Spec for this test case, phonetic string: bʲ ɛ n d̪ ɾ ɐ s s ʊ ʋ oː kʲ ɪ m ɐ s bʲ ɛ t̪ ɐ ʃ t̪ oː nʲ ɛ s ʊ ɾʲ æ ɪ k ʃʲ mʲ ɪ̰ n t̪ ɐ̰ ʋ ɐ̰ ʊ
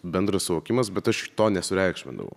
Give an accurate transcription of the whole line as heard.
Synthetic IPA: bʲ ɛ n d̪ ɾ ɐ s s ʊ ʋ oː kʲ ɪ m ɐ s bʲ ɛ t̪ ɐ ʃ t̪ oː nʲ ɛ s ʊ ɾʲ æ ɪ k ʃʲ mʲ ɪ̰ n d̪ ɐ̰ ʋ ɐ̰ ʊ